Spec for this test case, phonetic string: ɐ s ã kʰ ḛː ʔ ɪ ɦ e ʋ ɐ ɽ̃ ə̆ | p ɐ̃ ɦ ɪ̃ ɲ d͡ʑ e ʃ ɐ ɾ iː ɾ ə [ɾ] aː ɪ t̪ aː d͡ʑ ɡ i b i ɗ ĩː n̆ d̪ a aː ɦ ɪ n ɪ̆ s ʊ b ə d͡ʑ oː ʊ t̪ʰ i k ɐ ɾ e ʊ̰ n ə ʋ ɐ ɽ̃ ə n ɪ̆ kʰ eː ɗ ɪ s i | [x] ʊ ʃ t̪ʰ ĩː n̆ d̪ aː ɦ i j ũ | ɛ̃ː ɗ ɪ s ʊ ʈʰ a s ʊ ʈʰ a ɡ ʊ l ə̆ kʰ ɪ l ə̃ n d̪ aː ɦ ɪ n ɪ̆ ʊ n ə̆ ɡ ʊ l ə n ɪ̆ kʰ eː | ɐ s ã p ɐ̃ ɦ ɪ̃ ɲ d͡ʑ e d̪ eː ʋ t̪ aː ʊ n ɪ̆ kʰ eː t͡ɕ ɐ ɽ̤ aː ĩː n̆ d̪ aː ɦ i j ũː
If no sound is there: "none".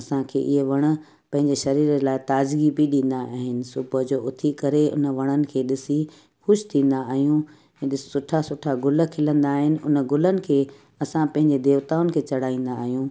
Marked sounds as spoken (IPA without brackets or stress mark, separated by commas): l, x